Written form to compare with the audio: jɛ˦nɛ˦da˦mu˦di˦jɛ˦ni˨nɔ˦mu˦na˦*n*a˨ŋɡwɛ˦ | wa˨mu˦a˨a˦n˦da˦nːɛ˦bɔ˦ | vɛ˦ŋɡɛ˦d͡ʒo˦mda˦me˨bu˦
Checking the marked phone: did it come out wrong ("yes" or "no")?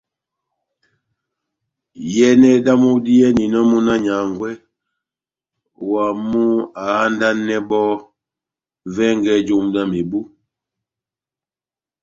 yes